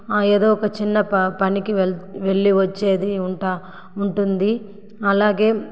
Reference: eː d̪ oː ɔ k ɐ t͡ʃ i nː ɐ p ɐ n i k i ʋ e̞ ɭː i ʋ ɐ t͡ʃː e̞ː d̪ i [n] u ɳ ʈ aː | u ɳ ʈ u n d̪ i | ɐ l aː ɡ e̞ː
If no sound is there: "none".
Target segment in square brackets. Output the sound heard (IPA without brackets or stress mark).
none